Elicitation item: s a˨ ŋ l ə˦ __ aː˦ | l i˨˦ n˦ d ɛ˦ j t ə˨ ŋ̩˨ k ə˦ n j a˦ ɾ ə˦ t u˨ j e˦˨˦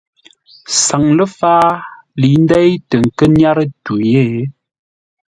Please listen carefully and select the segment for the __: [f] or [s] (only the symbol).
f